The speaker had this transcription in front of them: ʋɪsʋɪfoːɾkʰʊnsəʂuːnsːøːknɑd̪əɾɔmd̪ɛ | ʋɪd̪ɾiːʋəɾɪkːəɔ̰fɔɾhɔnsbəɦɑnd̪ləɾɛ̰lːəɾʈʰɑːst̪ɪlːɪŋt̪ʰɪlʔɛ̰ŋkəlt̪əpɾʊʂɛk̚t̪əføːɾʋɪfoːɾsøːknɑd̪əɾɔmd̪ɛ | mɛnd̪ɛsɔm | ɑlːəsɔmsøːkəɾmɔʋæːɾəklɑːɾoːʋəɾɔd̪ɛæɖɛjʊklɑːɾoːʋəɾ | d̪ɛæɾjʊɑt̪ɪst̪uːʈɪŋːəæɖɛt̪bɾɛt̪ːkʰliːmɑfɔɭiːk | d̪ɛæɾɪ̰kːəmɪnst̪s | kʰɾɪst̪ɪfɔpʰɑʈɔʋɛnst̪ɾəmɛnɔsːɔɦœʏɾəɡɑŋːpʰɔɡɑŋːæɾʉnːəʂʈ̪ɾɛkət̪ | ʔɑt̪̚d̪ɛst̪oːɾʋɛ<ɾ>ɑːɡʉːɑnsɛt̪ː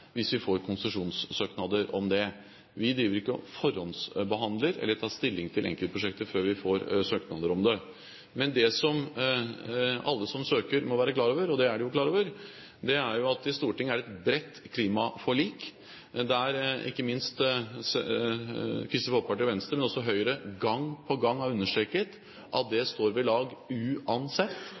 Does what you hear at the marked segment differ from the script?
yes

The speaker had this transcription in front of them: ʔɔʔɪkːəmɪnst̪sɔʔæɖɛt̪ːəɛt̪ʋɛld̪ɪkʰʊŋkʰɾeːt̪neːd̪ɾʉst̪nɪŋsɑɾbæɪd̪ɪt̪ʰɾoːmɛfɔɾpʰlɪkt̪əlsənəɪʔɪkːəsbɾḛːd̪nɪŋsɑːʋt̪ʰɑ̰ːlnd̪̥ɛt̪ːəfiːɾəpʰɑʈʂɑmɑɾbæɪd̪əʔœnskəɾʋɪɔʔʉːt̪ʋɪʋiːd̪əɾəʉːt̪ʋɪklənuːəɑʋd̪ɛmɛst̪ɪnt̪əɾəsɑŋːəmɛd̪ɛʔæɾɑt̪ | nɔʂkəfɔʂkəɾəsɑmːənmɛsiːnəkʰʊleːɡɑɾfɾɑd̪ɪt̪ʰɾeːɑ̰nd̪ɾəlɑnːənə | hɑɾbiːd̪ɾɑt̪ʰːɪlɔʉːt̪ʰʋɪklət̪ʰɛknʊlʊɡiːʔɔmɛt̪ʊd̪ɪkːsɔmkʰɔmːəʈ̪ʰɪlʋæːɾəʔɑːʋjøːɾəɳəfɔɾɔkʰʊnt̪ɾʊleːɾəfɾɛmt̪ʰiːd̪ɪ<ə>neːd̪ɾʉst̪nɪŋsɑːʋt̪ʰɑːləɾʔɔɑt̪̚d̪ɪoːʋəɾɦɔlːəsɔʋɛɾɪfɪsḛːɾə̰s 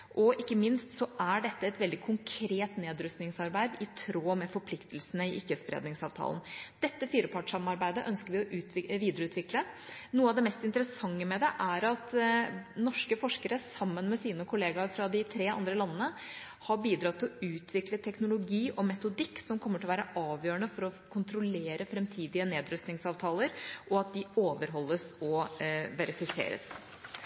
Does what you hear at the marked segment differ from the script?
no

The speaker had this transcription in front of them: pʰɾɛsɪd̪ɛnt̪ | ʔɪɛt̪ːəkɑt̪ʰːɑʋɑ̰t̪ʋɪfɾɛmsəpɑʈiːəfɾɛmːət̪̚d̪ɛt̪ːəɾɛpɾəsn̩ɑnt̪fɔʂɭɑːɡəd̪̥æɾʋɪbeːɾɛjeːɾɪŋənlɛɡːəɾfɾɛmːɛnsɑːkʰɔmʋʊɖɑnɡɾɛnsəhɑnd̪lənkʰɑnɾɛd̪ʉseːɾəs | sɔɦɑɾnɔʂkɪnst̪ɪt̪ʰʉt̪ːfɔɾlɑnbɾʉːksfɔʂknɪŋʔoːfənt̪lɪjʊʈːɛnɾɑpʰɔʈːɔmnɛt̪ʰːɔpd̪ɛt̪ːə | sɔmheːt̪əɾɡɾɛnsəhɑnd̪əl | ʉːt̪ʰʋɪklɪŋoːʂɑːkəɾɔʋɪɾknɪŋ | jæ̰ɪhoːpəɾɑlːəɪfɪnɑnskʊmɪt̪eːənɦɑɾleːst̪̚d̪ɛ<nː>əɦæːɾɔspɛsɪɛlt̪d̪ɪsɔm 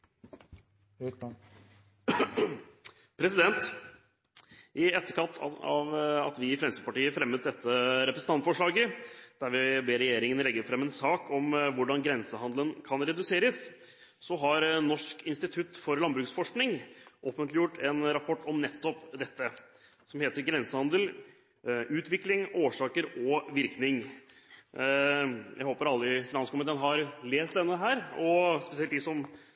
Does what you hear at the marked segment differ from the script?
no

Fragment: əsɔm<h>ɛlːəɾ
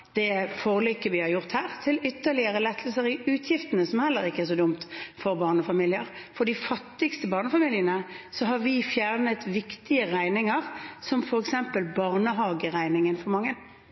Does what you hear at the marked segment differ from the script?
no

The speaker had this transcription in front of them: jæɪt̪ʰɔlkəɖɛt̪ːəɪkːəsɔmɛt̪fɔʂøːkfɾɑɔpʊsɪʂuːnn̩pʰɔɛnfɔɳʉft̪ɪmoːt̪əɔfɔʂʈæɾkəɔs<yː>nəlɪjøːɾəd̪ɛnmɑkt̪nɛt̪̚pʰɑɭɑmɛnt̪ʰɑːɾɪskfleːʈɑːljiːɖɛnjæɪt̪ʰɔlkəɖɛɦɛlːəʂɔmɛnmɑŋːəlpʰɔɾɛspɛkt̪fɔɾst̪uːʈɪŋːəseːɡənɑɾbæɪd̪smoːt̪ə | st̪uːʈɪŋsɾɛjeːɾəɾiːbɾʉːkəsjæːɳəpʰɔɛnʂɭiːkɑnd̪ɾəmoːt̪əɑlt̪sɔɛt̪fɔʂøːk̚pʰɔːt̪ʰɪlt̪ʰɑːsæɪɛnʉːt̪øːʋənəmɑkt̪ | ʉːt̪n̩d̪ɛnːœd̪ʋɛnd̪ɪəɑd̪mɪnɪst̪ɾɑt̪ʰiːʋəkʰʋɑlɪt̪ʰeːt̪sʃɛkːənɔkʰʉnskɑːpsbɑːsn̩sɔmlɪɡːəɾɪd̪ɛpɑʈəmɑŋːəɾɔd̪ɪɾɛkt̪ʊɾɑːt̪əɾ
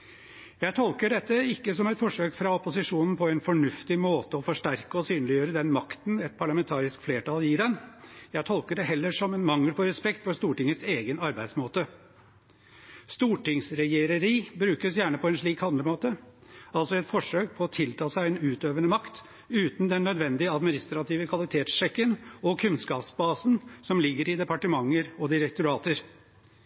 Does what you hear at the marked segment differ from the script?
no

